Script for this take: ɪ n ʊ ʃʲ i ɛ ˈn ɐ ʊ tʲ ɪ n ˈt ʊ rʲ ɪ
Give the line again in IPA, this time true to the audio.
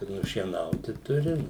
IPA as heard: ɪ n ʊ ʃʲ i ɛ ˈn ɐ ʊ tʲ ɪ ˈt ʊ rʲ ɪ